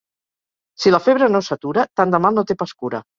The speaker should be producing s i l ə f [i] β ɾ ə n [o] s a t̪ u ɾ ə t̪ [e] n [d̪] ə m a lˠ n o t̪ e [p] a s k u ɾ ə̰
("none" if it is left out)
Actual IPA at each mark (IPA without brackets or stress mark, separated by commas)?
e, o, a, d̪, p